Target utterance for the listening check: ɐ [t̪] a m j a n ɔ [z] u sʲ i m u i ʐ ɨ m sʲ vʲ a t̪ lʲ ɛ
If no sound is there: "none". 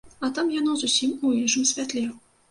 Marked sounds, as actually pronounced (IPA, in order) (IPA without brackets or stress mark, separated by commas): t̪, z